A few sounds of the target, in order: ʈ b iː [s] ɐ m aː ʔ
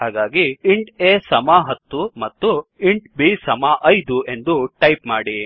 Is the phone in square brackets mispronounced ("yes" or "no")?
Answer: no